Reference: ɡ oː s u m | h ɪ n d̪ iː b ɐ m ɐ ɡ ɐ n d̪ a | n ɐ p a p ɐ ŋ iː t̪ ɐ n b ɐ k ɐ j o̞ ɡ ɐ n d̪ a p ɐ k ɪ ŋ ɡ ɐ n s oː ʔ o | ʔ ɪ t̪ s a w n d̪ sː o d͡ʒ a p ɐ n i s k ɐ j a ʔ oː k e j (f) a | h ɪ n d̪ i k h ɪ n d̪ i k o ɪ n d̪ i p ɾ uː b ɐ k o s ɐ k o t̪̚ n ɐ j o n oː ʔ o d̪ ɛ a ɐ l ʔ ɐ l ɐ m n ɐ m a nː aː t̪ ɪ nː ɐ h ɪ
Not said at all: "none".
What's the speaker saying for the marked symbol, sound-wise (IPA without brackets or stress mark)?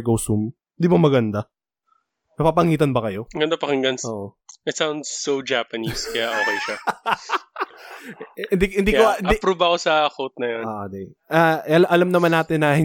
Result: ʃ